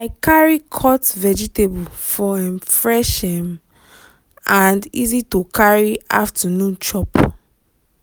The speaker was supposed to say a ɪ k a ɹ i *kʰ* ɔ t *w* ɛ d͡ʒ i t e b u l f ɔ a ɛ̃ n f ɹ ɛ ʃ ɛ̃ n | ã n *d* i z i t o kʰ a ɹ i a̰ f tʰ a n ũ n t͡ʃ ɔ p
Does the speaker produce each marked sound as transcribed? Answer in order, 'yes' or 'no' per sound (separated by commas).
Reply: yes, no, yes